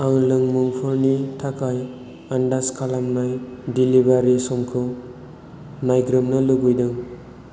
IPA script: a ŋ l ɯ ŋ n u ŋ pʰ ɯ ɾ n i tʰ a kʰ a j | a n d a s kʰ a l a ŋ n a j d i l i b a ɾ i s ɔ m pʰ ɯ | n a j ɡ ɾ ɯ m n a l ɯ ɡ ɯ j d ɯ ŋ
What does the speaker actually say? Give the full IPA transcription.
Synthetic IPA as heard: a ŋ l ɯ ŋ m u ŋ pʰ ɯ ɾ n i tʰ a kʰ a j | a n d a s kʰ a l a m n a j d i l i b a ɾ i s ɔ m kʰ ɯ | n a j ɡ ɾ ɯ m n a l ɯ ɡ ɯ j d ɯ ŋ